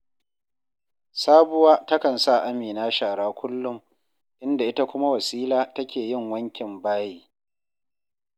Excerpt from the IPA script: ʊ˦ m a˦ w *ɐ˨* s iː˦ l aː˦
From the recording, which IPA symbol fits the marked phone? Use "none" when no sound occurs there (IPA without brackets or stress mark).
ɐ˨